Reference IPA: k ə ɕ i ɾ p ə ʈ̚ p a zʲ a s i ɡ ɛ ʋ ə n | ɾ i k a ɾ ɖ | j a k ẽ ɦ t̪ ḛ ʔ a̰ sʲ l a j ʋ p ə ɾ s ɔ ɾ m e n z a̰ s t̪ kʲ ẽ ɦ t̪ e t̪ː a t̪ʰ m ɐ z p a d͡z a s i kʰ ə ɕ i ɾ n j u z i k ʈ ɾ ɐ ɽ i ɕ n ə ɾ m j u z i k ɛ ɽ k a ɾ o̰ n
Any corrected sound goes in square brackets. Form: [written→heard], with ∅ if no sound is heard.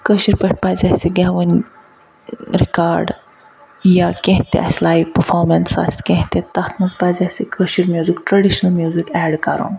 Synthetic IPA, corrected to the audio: k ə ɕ i ɾ p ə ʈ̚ p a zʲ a s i ɡ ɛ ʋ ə n | ɾ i k a ɾ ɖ | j a k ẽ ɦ t̪ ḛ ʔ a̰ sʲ l a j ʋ p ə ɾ [s→f] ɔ ɾ m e n [z→s] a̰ s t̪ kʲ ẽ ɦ t̪ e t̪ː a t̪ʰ m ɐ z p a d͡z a s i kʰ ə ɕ i ɾ [n→m] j u z i k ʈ ɾ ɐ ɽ i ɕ n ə [ɾ→l] m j u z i k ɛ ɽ k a ɾ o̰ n